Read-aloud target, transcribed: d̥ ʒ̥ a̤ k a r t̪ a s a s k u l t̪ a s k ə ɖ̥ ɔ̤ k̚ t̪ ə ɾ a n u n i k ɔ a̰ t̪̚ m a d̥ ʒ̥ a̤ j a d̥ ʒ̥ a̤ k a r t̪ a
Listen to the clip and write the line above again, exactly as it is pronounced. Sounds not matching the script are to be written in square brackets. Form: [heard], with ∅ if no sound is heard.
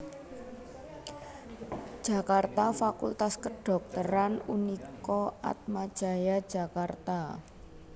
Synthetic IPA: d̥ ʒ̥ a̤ k a r t̪ a [f] a [∅] k u l t̪ a s k ə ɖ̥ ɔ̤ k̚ t̪ ə ɾ a n u n i k ɔ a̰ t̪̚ m a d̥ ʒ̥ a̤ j a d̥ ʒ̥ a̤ k a r t̪ a